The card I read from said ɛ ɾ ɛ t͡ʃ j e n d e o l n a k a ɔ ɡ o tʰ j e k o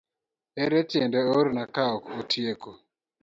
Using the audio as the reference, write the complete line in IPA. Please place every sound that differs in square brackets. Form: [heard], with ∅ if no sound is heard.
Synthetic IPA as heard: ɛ ɾ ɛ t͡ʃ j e n d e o [ɾ] n a k a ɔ [k] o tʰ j e k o